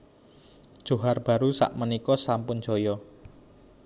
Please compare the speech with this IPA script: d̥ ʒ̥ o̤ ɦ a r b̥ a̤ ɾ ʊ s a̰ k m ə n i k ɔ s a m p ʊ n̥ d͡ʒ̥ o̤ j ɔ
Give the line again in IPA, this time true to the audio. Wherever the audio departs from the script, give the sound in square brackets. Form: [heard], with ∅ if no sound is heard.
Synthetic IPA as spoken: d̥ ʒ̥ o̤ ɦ a r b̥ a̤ ɾ [u] s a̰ [ʔ] m ə n i k ɔ s a m p ʊ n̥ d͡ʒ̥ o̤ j ɔ